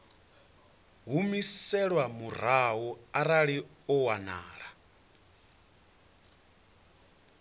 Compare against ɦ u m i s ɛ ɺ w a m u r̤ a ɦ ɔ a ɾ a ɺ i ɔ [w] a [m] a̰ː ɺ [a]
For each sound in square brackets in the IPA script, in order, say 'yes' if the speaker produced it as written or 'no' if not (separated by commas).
yes, no, yes